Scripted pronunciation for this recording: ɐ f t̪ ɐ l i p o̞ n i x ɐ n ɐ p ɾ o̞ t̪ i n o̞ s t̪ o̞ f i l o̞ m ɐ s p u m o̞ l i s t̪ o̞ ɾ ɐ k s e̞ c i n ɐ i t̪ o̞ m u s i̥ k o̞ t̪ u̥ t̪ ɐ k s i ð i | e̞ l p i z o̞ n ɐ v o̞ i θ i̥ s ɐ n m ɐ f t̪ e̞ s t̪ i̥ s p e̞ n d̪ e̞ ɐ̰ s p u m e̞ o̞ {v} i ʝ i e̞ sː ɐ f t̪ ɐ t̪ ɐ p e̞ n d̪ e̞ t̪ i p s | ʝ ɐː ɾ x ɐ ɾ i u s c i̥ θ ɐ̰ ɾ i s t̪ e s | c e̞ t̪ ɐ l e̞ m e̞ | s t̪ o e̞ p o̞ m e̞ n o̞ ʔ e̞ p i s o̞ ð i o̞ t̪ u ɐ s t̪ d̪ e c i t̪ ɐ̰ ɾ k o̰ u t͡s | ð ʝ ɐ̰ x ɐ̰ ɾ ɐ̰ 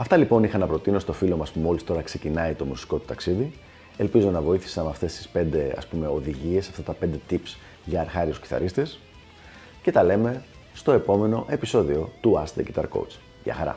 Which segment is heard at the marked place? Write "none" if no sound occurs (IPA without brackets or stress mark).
ð